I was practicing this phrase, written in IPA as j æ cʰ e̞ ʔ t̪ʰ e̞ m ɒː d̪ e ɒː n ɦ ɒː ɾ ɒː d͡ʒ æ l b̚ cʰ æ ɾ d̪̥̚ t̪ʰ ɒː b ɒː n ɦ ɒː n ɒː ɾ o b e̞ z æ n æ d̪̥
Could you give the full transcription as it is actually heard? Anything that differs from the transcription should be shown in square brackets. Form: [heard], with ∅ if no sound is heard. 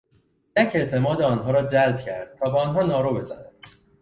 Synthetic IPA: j æ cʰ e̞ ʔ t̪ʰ e̞ m ɒː d̪ e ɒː n ɦ ɒː ɾ ɒː d͡ʒ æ l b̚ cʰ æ ɾ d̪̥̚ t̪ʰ ɒː b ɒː n ɦ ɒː n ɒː ɾ o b e̞ z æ n æ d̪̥